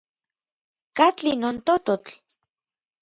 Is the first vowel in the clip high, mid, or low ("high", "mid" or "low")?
low